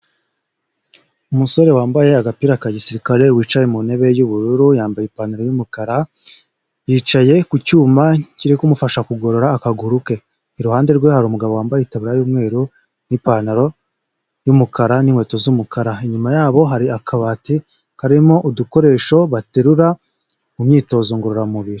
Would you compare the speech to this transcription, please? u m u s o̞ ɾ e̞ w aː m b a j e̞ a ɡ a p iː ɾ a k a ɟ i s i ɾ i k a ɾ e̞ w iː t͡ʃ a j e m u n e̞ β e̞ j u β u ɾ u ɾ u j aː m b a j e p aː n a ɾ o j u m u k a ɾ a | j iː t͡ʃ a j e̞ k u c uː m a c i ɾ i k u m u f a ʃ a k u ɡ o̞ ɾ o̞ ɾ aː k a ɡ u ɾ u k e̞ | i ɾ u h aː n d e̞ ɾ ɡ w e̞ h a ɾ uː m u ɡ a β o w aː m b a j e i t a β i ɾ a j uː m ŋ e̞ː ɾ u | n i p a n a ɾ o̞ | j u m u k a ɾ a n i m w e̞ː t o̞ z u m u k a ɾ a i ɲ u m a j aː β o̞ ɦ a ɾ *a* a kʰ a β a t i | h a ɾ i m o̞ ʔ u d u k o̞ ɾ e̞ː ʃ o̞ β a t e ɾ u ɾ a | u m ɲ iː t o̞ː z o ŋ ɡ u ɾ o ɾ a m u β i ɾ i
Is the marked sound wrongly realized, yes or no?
yes